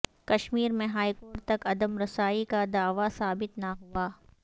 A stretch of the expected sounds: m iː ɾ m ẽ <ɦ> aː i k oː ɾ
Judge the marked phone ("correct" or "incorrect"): correct